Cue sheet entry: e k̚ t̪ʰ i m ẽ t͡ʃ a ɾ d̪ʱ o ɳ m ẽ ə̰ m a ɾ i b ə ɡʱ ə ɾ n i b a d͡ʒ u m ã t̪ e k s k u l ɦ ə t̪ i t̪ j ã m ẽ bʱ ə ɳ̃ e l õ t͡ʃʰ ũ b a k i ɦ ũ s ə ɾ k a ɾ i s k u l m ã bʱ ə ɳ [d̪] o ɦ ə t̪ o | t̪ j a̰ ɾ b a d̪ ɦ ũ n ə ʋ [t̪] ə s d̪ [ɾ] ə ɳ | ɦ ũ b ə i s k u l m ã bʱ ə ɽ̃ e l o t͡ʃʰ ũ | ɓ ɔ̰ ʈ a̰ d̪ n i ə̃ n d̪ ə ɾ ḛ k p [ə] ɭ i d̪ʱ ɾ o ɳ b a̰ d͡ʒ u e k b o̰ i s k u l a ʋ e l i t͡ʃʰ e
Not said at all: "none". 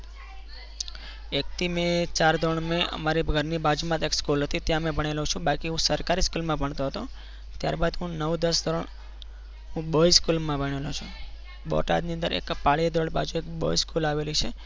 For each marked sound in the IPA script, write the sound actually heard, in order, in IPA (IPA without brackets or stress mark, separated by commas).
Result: t̪, d̪, ɾ, a